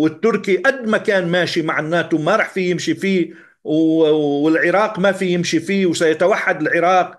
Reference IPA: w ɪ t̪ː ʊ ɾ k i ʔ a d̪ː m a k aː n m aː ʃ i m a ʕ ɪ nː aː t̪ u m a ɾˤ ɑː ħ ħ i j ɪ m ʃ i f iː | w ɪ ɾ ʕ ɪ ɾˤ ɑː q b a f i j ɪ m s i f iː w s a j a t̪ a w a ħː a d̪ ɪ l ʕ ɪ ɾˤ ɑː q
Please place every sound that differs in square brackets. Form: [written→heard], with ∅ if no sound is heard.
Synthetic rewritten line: w ɪ t̪ː ʊ ɾ k i ʔ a d̪ː m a k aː n m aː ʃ i m a ʕ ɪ nː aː t̪ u m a ɾˤ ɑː ħ [ħ→f] i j ɪ m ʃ i f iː | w ɪ [ɾ→l] ʕ ɪ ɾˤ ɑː q [b→m] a f i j ɪ m [s→ʃ] i f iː w s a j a t̪ a w a ħː a d̪ ɪ l ʕ ɪ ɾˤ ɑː q